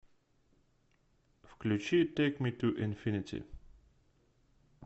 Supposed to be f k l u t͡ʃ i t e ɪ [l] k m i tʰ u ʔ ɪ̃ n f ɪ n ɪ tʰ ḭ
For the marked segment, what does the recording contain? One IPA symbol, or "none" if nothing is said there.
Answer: none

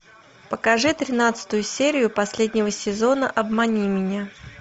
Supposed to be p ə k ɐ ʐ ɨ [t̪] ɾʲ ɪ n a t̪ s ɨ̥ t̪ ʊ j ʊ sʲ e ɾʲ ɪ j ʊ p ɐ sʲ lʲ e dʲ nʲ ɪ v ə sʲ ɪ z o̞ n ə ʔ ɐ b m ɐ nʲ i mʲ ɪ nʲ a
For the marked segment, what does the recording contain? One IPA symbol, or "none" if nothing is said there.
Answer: t̪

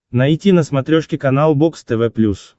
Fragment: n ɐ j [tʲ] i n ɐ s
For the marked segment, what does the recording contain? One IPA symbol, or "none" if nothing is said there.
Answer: tʲ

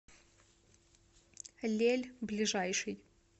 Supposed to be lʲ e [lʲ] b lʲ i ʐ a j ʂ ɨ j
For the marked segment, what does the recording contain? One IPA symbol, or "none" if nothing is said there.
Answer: lʲ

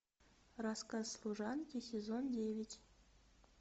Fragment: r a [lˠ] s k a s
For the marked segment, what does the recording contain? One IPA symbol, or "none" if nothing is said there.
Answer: none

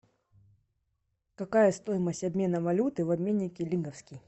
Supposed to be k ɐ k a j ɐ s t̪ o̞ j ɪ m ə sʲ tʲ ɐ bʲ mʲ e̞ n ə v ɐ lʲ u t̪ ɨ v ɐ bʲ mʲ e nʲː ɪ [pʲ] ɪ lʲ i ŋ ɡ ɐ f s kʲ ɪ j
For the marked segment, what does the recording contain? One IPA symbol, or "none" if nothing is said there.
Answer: kʲ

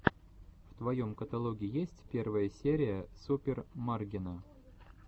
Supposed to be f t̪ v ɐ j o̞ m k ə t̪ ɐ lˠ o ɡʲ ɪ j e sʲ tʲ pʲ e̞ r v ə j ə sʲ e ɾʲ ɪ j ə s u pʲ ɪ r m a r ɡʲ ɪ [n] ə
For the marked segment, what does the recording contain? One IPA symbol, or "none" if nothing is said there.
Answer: n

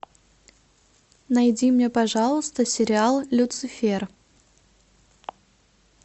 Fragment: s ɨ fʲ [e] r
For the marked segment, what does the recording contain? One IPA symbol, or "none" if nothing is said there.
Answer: e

